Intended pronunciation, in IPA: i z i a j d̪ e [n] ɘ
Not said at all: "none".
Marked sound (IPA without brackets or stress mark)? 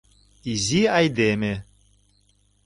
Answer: m